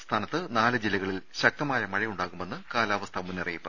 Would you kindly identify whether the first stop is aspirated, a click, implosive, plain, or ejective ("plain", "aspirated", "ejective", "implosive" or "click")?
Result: aspirated